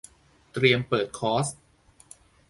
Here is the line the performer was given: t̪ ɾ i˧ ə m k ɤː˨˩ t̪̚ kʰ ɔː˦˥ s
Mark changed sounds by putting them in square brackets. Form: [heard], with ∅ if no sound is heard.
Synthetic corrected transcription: t̪ ɾ i˧ ə m [p] ɤː˨˩ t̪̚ kʰ ɔː˦˥ s